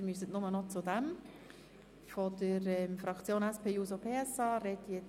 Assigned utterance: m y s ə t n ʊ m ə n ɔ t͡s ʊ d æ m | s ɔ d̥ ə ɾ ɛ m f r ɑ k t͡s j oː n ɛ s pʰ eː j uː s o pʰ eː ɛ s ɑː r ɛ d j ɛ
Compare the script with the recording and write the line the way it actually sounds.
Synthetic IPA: m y s ə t n ʊ m ə n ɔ t͡s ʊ d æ m | f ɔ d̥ ə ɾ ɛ m f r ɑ k t͡s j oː n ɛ s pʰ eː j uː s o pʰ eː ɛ s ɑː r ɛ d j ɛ

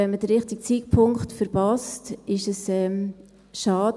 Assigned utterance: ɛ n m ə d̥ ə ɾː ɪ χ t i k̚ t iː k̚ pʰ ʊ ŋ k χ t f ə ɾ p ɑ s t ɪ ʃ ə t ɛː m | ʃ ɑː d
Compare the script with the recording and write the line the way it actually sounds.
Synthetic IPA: ɛ n m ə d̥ ə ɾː ɪ χ t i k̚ t͡s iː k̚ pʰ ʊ ŋ k χ t f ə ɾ p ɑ s t ɪ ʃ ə s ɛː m | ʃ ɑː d

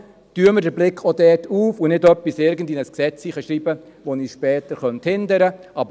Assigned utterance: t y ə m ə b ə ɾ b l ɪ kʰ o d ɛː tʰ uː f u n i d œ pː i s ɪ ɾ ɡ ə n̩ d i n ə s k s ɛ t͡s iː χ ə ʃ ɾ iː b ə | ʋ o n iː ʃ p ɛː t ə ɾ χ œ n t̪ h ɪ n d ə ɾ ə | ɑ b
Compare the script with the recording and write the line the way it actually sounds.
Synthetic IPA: t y ə m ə d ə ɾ b l ɪ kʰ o d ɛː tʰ uː f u n ɪ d œ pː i s ɪ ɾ ɡ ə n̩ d i n ə s k s ɛ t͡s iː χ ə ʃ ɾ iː b ə | ʋ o n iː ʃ p ɛː t ə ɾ χ œ n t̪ h ɪ n d ə ɾ ə | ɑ b

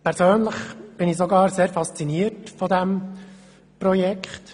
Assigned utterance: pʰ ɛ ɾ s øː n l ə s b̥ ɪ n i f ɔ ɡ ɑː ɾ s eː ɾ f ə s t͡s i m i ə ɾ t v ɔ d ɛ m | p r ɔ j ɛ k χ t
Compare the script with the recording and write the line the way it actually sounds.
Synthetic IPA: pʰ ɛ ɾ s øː n l ə χ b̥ ɪ n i s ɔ ɡ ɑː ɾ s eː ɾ f ɑ s t͡s i n i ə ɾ t f ɔ d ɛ m | p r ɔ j ɛ k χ t

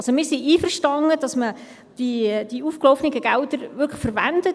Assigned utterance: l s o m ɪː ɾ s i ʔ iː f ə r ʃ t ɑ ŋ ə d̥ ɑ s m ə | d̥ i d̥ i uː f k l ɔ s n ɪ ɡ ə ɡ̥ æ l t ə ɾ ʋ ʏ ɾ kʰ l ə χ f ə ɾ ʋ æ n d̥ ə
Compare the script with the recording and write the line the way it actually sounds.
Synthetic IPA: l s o m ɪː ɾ s i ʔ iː f ə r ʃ t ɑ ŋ ə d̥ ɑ s m ə | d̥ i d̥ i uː f k l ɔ f n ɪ ɡ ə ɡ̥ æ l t ə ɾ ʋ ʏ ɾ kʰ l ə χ f ə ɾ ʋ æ n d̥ ə

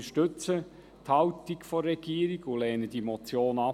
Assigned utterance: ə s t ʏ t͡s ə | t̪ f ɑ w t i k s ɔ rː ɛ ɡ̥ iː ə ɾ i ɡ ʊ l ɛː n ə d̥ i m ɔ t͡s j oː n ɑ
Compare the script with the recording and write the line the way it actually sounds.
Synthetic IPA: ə ʃ t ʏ t͡s ə | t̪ h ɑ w t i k f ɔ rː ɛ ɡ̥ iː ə ɾ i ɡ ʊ l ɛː n ə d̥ i m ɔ t͡s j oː n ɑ

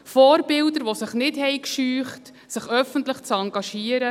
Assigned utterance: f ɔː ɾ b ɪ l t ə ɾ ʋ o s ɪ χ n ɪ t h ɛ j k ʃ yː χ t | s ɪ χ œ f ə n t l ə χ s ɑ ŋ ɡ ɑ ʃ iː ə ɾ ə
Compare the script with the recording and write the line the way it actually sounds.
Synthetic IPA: f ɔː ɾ b ɪ l d ə ɾ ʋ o s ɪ χ n ɪ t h ɛ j k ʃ yː χ t | s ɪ χ œ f ə n t l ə χ t͡s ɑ ŋ ɡ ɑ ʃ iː ə ɾ ə

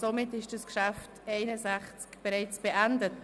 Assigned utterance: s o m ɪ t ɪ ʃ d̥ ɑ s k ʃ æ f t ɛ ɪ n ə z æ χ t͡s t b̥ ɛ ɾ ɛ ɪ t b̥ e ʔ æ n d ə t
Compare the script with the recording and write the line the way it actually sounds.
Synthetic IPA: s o m ɪ t ɪ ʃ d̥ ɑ s k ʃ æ f t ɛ ɪ n ə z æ χ t͡s k b̥ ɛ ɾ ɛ ɪ t͡s b̥ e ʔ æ n d ə t

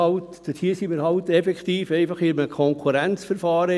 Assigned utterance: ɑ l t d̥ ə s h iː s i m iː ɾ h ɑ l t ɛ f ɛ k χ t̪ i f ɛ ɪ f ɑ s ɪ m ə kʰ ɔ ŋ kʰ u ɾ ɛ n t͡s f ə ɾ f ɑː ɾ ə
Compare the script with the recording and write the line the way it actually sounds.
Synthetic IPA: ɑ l t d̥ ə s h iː s i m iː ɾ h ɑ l t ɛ f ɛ k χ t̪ iː f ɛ ɪ f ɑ χ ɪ m ə kʰ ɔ ŋ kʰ u ɾ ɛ n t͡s f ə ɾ f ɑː ɾ ə

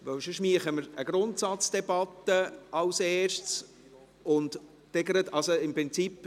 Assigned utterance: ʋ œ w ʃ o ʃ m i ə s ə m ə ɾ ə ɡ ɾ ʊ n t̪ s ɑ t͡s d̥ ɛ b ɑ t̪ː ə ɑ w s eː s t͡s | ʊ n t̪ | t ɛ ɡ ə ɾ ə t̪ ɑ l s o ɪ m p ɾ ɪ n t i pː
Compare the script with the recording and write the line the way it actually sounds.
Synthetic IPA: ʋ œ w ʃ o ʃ m i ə χ ə m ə ɾ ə ɡ ɾ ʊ n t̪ s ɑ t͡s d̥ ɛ b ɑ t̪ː ə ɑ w s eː ʃ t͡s | ʊ n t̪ | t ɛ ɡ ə ɾ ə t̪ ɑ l s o ɪ m p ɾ ɪ n t͡s i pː

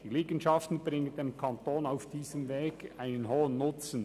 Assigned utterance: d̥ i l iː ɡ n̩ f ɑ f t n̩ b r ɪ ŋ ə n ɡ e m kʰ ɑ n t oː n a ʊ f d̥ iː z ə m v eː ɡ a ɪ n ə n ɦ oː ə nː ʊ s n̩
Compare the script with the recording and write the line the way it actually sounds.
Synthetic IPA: d̥ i l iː ɡ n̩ ʃ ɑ f t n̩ b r ɪ ŋ ə n d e m kʰ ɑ n t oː n a ʊ f d̥ iː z ə m v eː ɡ a ɪ n ə n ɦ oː ə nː ʊ t͡s n̩

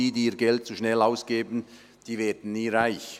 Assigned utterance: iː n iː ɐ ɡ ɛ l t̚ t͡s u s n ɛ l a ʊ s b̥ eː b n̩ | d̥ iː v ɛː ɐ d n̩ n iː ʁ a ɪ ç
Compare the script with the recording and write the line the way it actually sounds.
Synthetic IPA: iː d iː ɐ ɡ ɛ l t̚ t͡s u ʃ n ɛ l a ʊ s ɡ̥ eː b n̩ | d̥ iː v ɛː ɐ d n̩ n iː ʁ a ɪ ç

